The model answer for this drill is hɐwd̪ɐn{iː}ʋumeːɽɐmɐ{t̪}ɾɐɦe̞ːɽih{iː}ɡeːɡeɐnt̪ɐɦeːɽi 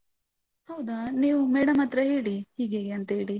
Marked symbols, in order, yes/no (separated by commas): yes, yes, yes